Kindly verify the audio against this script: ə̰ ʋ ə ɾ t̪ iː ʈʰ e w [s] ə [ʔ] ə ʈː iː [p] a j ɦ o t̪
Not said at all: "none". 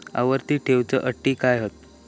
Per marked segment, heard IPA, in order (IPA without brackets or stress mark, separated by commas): t͡s, ʔ, k